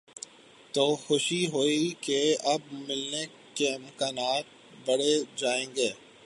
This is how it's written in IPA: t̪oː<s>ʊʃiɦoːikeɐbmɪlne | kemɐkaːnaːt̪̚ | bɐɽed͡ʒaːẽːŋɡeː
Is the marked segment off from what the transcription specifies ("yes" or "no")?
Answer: yes